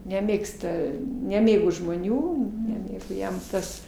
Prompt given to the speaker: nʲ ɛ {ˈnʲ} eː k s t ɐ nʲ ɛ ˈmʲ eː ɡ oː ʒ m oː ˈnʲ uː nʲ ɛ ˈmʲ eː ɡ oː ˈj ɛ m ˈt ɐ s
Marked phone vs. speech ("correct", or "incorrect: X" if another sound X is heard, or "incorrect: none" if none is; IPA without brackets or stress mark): incorrect: mʲ